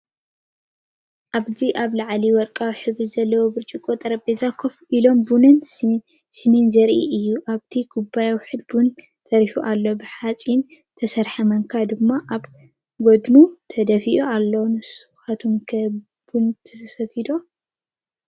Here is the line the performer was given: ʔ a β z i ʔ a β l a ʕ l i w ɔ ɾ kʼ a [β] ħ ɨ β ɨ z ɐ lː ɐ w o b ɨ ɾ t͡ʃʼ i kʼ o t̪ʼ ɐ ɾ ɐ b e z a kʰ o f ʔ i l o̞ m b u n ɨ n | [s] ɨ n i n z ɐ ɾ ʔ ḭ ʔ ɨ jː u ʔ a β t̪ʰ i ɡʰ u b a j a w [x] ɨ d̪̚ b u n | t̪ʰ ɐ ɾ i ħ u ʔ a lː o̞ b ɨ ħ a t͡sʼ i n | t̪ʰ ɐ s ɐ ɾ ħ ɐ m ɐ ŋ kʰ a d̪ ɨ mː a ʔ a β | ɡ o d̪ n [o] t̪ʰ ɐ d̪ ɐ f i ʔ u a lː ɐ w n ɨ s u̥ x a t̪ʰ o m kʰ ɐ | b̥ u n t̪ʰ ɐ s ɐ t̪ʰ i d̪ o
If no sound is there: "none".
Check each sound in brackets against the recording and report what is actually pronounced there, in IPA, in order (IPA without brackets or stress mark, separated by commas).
w, s, ħ, u